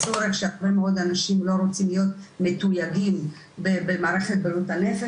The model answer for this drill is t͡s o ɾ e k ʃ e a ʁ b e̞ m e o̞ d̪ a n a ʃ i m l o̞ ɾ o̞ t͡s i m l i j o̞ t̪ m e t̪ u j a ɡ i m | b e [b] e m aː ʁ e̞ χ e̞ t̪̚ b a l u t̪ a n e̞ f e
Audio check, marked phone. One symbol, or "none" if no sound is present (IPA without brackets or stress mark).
b